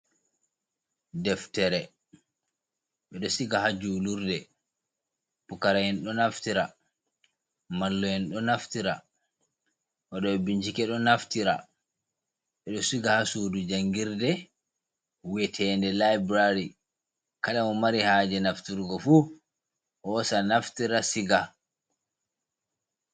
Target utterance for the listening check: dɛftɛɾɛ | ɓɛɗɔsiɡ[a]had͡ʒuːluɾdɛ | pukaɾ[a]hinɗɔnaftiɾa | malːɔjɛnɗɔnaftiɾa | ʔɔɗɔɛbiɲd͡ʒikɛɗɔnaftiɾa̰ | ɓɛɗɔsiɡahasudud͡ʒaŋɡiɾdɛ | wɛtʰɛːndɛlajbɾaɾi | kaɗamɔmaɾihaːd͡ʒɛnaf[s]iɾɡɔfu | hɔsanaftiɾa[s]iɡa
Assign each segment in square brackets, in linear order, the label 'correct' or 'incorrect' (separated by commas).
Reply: correct, correct, incorrect, correct